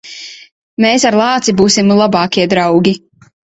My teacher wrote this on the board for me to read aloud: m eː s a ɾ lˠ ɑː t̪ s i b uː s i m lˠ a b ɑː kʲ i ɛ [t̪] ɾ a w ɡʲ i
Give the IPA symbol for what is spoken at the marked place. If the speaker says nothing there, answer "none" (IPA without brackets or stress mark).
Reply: d̪